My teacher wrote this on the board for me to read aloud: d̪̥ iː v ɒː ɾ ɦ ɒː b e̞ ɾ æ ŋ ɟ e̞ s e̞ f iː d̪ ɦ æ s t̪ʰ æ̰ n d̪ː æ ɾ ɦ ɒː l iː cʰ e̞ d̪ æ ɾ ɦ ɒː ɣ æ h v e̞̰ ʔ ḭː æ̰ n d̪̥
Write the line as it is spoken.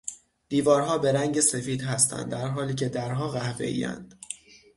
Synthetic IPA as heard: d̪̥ iː v ɒː ɾ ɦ ɒː b e̞ ɾ æ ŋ ɟ e̞ s e̞ f iː d̪ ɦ æ s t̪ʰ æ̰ n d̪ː æ ɾ ɦ ɒː l iː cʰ e̞ d̪ æ ɾ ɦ ɒː ɣ æ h v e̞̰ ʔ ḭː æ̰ n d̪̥